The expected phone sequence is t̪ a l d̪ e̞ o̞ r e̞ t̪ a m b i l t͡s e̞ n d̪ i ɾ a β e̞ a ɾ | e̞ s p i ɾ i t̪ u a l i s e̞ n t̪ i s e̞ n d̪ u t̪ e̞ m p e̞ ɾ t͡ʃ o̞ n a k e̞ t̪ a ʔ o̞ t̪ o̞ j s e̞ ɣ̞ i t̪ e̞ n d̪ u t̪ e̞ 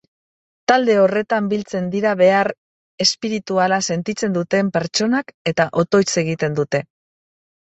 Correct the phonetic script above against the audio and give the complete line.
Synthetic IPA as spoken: t̪ a l d̪ e̞ o̞ r e̞ t̪ a m b i l t͡s e̞ n d̪ i ɾ a β e̞ a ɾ | e̞ s p i ɾ i t̪ u a l a s e̞ n t̪ i t͡s e̞ n d̪ u t̪ e̞ m p e̞ ɾ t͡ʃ o̞ n a k e̞ t̪ a ʔ o̞ t̪ o̞ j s e̞ ɣ̞ i t̪ e̞ n d̪ u t̪ e̞